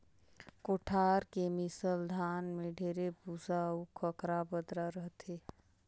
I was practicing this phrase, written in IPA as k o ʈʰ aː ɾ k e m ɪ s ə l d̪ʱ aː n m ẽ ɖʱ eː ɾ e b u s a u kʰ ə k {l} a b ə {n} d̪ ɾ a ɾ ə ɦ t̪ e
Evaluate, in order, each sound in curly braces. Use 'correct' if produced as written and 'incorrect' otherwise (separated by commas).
incorrect, incorrect